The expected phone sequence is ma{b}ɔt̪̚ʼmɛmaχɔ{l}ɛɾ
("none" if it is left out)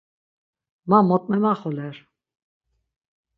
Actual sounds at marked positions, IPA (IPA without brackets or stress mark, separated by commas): m, l